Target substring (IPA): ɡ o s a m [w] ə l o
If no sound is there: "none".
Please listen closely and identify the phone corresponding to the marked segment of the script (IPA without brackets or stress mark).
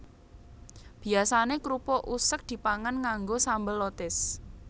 b